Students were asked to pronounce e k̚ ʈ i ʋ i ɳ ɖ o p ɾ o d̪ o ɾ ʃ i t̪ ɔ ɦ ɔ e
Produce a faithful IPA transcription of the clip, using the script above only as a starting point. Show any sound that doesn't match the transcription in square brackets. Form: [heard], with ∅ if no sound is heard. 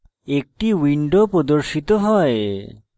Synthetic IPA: e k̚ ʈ i [w] i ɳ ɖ o p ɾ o d̪ o ɾ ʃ i t̪ [o] ɦ ɔ e